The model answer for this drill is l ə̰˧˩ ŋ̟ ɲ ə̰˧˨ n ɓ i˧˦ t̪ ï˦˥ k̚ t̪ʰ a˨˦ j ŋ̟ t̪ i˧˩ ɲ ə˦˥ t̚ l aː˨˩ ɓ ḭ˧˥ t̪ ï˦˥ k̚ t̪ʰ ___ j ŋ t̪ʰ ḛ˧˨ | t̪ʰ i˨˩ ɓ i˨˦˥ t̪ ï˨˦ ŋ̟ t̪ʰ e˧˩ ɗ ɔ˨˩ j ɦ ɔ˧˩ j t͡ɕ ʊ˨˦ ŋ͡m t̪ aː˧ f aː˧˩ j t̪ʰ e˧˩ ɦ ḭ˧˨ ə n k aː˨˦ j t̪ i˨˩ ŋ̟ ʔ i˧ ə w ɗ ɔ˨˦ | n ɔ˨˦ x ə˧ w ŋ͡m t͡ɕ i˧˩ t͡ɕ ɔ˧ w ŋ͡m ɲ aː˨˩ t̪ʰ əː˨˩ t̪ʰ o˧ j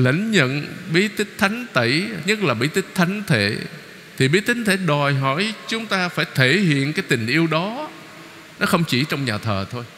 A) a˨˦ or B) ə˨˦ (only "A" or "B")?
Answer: A